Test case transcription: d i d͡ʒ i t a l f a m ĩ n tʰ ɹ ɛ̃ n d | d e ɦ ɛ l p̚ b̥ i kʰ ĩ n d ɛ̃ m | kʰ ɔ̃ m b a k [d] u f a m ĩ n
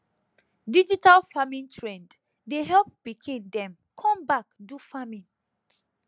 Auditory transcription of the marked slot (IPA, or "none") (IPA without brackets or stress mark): d